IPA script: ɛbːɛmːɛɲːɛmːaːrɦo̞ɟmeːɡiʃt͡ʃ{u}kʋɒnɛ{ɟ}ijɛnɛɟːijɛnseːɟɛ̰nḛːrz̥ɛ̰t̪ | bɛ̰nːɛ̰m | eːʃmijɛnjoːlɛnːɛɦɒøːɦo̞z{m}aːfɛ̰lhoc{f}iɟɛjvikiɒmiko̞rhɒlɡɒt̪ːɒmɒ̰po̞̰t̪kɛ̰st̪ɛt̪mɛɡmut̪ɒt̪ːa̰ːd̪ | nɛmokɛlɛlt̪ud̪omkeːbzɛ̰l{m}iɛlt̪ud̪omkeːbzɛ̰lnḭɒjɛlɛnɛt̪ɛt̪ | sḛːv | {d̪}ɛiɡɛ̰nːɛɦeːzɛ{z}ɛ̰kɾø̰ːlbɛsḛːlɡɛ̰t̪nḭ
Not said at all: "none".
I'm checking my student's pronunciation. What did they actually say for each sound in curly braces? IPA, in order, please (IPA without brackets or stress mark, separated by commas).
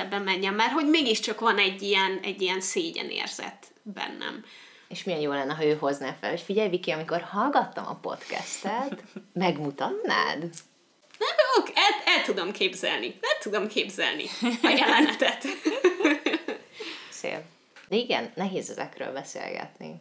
ɒ, ɟː, n, f, n, d̪, z